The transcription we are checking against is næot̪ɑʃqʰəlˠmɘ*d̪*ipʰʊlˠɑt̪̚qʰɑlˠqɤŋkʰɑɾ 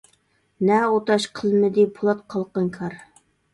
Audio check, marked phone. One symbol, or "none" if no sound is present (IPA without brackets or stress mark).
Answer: d̪